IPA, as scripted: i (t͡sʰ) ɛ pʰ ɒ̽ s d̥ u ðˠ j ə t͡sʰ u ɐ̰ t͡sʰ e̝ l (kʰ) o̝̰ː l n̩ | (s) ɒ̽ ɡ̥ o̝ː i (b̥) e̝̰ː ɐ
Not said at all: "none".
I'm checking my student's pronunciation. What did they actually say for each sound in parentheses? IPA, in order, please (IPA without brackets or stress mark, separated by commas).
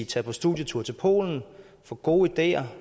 t͡sʰ, pʰ, f, d̥